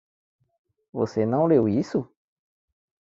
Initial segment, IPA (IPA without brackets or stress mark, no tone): v